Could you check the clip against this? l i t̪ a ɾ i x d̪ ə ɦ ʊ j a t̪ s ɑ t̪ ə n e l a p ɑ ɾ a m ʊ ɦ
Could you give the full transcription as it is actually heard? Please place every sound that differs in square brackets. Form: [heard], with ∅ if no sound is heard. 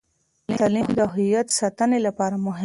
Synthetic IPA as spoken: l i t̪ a [l] i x d̪ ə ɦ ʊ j a t̪ s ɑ t̪ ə n e l a p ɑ ɾ a m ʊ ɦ